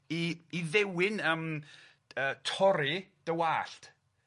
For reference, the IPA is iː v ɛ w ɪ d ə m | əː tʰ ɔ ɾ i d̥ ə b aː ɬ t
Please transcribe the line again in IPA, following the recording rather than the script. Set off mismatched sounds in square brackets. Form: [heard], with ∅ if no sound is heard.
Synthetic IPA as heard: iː [ð] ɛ w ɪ [n] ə m | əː tʰ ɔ ɾ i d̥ ə [w] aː ɬ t